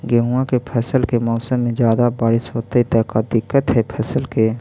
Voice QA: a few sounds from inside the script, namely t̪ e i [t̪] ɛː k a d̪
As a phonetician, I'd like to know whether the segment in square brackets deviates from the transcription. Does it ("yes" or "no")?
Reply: no